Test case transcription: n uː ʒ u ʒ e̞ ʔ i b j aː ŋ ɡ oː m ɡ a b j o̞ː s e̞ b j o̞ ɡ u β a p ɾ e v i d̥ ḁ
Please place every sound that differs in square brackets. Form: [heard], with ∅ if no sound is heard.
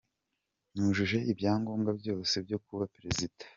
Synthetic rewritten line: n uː ʒ u ʒ e̞ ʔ i b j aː ŋ ɡ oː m ɡ a b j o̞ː s e̞ b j o̞ [k] u β a p ɾ e [z] i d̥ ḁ